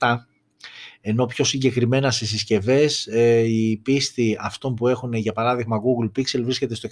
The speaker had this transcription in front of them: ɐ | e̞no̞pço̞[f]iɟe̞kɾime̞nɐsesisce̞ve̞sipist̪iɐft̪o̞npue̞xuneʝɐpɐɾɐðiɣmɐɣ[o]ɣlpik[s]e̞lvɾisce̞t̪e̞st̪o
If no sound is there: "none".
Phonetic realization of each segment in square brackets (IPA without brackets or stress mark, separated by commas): s, u, s